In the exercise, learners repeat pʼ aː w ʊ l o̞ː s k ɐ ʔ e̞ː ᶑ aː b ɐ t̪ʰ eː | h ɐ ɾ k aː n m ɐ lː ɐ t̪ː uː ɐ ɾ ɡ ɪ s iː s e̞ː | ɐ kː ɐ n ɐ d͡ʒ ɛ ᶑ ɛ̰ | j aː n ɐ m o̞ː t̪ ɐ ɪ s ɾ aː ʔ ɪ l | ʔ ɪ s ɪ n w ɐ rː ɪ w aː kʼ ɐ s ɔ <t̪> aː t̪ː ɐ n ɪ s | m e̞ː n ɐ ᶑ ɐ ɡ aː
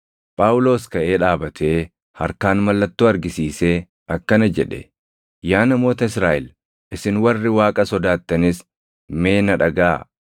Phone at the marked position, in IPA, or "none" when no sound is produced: d̪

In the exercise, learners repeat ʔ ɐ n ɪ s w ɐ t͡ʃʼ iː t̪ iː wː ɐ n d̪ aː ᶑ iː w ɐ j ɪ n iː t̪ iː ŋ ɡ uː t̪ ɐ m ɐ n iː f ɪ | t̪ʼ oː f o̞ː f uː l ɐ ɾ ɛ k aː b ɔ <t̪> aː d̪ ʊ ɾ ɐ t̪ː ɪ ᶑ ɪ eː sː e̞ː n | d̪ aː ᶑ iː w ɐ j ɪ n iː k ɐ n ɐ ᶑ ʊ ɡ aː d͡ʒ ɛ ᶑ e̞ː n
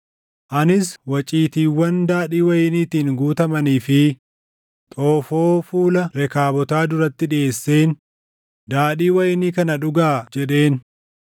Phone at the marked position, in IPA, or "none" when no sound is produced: t̪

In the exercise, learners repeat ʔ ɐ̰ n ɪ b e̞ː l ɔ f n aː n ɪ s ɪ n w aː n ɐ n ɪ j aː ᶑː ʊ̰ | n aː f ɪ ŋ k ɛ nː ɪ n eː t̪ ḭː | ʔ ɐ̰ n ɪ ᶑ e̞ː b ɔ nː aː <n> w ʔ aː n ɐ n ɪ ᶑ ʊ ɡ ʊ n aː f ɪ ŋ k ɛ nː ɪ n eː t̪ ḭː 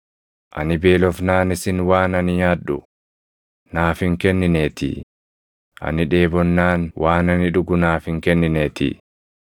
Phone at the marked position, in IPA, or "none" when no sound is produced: n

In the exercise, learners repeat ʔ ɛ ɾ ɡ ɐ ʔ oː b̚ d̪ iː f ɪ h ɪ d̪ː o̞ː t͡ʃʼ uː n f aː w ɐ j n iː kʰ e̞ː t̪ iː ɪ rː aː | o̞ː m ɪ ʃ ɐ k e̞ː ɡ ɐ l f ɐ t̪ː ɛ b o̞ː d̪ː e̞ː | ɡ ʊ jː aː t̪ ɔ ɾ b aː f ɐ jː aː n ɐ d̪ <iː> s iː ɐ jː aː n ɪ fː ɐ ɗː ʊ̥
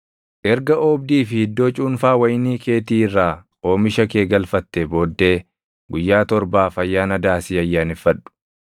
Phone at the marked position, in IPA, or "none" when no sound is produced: aː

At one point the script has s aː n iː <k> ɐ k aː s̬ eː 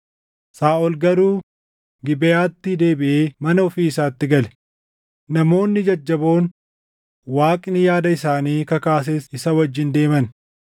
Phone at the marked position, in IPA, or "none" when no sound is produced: k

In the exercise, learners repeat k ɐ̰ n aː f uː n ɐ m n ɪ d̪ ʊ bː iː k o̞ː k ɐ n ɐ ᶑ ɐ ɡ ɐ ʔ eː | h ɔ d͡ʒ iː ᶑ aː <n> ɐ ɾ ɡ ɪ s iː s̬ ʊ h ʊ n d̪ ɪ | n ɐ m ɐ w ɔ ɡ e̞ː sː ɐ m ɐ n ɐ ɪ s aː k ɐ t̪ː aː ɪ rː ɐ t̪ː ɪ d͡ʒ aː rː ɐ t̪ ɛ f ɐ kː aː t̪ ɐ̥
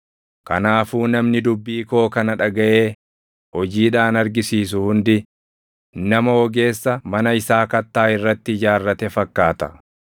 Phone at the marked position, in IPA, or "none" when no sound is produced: n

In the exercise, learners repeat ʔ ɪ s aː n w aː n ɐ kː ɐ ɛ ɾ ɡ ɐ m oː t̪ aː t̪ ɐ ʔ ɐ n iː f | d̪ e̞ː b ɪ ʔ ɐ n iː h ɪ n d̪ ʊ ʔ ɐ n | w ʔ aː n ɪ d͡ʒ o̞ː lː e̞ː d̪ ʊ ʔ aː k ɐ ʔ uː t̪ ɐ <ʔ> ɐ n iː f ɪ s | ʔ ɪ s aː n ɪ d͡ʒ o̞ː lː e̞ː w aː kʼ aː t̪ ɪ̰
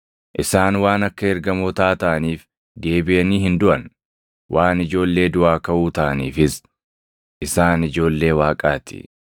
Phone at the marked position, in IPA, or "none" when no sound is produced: ʔ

